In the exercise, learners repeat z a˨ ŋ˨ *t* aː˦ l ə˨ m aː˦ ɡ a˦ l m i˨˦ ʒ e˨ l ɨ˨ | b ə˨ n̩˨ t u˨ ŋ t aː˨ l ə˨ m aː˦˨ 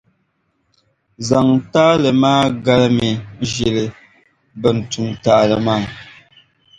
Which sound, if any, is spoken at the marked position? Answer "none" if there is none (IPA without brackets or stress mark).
t